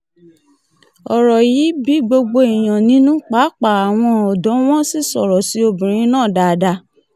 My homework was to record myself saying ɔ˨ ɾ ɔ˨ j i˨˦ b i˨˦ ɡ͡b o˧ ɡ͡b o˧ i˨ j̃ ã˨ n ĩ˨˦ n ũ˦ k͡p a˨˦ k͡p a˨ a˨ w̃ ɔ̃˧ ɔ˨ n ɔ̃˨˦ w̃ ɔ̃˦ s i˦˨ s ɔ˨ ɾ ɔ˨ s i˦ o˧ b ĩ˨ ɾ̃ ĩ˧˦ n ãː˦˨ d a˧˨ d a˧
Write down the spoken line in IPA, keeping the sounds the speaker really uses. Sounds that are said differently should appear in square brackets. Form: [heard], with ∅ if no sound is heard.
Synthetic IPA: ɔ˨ ɾ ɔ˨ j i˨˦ b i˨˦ ɡ͡b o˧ ɡ͡b o˧ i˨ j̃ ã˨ n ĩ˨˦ n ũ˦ k͡p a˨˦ k͡p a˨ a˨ w̃ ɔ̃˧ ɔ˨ [d] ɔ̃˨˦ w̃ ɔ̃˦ s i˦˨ s ɔ˨ ɾ ɔ˨ s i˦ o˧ b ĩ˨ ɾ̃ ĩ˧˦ n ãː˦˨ d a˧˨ d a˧

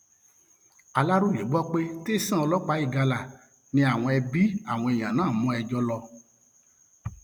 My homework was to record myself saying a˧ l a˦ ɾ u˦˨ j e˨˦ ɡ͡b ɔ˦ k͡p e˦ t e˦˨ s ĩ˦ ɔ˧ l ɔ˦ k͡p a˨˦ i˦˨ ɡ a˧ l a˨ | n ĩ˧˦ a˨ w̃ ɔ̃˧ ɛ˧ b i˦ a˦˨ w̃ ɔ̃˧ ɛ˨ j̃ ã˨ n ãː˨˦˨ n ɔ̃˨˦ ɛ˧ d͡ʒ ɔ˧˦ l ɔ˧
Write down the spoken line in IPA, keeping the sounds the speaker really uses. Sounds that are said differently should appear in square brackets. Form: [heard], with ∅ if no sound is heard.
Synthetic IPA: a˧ l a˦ ɾ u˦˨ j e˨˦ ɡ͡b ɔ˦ k͡p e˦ t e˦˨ s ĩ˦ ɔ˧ l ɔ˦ k͡p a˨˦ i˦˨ ɡ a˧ l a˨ | n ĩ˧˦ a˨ w̃ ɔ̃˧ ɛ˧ b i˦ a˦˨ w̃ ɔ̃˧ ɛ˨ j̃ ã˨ n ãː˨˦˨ [m] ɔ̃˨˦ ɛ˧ d͡ʒ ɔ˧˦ l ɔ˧

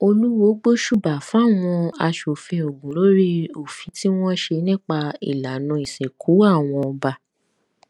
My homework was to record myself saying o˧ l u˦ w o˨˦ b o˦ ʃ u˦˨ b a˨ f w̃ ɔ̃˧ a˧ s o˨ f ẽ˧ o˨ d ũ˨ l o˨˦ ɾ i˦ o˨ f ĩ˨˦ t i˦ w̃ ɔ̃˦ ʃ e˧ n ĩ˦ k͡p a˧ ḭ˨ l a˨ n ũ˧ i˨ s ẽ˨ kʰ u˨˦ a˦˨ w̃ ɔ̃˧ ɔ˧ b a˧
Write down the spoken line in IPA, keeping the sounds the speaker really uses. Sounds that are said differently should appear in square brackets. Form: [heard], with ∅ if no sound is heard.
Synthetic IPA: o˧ l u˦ w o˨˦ [ɡ͡b] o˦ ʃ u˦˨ b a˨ f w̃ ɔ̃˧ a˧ [ʃ] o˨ f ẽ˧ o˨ [ɡ] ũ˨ l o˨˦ ɾ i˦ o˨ f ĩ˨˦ t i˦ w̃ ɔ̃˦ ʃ e˧ n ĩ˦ k͡p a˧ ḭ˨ l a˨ n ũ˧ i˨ s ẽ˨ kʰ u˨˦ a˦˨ w̃ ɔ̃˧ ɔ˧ b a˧

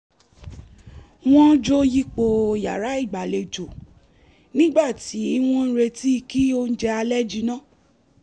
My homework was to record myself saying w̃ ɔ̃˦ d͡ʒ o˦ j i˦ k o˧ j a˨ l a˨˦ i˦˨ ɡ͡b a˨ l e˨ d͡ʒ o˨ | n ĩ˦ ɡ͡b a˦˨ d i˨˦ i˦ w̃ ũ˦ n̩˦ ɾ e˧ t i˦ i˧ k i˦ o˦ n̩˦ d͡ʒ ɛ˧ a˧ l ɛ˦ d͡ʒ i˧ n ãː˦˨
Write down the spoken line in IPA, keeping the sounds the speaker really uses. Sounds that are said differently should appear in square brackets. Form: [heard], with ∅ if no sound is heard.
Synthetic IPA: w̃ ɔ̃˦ d͡ʒ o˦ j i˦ [k͡p] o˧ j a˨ [ɾ] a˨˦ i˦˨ ɡ͡b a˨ l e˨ d͡ʒ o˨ | n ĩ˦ ɡ͡b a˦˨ [t] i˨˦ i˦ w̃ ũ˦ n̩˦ ɾ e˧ t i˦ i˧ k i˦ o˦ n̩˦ d͡ʒ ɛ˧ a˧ l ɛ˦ d͡ʒ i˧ n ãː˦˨

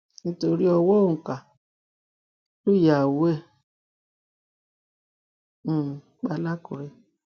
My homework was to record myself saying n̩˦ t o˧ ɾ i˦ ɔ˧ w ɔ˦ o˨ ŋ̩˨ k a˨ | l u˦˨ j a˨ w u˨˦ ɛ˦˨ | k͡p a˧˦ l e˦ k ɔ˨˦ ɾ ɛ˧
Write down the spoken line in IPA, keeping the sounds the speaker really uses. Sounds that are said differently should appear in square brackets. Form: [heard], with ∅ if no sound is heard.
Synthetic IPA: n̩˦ t o˧ ɾ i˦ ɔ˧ w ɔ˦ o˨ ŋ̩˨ k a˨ | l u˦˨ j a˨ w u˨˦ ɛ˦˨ | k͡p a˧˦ l [a˦] k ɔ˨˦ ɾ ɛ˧

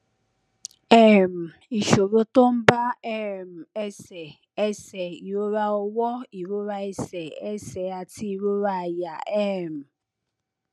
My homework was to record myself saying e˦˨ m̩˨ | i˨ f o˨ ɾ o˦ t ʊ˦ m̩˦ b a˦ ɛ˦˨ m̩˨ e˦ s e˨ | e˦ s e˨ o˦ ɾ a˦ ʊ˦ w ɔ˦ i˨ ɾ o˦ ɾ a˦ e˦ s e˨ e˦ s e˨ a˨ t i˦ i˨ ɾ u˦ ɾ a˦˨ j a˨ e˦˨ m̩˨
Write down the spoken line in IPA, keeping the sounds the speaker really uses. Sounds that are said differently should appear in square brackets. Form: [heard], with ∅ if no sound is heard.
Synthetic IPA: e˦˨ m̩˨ | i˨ [ʃ] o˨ ɾ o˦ t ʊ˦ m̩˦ b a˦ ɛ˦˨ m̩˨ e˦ s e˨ | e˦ s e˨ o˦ ɾ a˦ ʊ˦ w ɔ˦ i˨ ɾ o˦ ɾ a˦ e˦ s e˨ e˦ s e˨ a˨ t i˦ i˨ ɾ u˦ ɾ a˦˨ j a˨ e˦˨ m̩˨

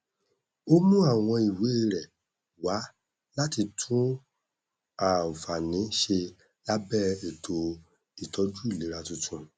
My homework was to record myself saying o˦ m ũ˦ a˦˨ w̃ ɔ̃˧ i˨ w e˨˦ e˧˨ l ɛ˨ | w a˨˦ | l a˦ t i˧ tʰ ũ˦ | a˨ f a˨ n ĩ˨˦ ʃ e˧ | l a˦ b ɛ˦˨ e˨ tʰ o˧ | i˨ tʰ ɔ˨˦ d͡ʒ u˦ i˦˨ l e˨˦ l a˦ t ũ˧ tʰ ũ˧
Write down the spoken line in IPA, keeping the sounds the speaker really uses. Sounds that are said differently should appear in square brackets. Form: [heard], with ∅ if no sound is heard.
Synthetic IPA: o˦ m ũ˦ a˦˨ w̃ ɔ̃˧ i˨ w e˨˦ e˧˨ [ɾ] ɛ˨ | w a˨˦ | l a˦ t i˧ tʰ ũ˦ | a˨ f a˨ n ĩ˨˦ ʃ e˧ | l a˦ b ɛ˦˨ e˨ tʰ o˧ | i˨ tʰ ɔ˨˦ d͡ʒ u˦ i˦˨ l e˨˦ [ɾ] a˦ t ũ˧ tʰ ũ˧

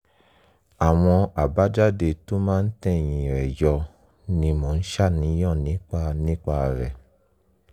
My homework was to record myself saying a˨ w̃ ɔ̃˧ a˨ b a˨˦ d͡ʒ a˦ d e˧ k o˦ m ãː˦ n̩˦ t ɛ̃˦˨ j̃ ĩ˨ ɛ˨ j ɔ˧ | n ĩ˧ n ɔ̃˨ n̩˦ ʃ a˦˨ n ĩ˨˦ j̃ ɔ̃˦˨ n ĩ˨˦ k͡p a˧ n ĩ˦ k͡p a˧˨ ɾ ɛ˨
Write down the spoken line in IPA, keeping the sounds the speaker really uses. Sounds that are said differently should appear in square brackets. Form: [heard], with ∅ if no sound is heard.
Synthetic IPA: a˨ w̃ ɔ̃˧ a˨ b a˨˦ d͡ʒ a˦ d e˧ [t] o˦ m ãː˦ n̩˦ t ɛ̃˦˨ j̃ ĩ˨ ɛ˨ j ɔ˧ | n ĩ˧ [m] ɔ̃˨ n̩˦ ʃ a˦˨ n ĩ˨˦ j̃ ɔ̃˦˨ n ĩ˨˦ k͡p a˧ n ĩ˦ k͡p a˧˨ ɾ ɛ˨

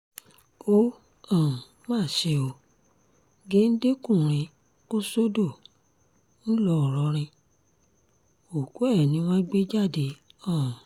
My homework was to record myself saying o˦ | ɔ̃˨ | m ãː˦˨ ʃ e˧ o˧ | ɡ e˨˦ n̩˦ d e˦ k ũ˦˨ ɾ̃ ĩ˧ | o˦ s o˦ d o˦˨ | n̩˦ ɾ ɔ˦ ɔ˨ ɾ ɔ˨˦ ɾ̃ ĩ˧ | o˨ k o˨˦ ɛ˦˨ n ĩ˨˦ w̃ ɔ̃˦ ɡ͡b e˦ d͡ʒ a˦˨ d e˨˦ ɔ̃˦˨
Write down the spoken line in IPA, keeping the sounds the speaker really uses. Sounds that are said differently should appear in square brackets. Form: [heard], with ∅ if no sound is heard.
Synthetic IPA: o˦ | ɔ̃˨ | m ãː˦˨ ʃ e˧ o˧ | ɡ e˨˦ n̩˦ d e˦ k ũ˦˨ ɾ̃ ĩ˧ | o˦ s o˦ d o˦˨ | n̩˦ [l] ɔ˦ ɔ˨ ɾ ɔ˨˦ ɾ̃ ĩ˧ | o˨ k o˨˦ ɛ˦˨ n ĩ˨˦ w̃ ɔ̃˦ ɡ͡b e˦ d͡ʒ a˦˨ d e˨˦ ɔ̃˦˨

